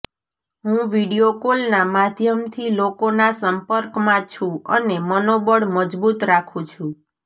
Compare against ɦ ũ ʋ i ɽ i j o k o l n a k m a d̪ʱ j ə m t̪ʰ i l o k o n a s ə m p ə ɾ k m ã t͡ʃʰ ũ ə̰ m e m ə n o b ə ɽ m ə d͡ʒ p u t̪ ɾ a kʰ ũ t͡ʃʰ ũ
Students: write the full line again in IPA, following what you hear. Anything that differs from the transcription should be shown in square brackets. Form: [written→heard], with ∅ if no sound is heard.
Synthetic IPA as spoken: ɦ ũ ʋ i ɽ i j o k o l n a [k→∅] m a d̪ʱ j ə m t̪ʰ i l o k o n a s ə m p ə ɾ k m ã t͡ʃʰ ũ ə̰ [m→n] e m ə n o b ə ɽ m ə d͡ʒ [p→b] u t̪ ɾ a kʰ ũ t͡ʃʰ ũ